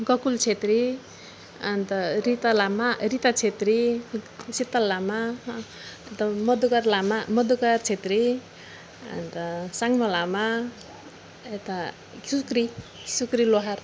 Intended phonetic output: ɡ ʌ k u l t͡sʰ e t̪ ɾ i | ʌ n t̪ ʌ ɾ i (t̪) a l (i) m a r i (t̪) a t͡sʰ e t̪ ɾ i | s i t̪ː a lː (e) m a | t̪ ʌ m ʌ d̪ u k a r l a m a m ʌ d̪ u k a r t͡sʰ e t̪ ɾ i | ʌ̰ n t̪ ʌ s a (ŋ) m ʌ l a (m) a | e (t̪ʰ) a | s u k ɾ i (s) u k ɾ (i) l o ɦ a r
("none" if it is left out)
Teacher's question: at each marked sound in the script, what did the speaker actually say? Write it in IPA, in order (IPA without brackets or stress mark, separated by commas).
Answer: t̪, a, t̪, a, ŋ, m, t̪, s, i